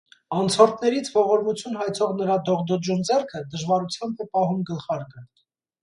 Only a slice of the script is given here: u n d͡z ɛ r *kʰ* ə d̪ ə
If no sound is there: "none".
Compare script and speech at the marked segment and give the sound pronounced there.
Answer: kʰ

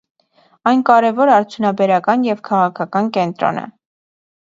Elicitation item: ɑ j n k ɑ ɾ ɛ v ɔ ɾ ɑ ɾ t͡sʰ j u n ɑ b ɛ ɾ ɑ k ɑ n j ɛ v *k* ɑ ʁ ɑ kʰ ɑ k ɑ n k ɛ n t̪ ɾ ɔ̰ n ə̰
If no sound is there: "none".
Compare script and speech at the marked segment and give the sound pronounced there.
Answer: kʰ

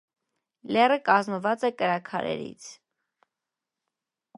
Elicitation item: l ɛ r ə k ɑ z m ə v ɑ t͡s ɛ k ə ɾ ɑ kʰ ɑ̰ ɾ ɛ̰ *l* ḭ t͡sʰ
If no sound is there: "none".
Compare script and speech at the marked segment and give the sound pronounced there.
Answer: ɾ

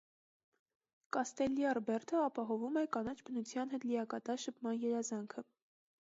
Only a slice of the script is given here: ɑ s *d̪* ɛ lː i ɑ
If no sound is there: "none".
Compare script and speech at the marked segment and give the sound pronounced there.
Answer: t̪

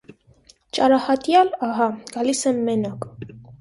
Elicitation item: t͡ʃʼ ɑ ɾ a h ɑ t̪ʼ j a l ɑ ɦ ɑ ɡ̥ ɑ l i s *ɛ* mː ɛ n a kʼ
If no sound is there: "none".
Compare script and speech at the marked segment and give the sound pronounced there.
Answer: ɛ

